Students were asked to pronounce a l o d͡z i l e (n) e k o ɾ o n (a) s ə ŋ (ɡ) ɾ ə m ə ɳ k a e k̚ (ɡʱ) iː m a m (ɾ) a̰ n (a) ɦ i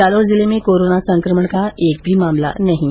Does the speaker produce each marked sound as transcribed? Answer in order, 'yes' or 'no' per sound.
no, yes, no, no, no, yes

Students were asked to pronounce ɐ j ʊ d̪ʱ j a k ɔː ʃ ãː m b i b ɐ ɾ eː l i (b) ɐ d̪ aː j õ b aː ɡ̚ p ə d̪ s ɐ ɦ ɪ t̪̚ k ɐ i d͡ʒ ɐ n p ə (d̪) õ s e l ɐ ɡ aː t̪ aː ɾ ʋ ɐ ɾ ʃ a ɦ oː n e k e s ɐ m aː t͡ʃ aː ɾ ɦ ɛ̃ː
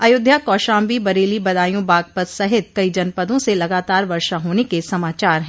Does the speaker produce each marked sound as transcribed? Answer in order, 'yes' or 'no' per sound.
yes, yes

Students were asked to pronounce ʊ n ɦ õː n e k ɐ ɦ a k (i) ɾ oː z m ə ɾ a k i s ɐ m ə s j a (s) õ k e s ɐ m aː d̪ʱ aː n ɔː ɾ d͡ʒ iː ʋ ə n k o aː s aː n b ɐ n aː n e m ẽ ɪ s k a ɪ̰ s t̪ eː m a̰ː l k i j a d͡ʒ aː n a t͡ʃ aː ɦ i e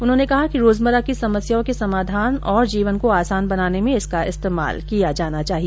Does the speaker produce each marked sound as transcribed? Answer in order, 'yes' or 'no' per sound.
yes, no

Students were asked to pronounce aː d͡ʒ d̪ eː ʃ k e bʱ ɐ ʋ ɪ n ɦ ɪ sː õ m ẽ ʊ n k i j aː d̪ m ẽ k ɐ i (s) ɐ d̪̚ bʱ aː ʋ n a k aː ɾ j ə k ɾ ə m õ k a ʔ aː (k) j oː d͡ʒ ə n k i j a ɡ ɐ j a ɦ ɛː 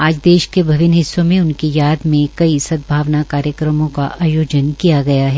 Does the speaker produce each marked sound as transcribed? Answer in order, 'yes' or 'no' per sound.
yes, no

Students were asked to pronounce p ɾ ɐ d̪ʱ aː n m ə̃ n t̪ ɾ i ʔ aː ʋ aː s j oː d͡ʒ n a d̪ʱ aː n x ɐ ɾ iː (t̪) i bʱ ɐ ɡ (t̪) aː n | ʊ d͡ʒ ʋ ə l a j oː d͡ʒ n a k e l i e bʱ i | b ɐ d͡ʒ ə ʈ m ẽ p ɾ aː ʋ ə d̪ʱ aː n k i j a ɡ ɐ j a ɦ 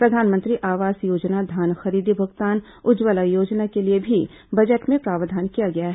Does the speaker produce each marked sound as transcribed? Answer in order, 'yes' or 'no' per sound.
no, yes

